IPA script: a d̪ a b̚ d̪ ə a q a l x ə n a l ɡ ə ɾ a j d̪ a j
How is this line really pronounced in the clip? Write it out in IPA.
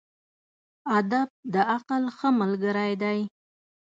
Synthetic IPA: a d̪ a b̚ d̪ ə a q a l x ə m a l ɡ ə ɾ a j d̪ a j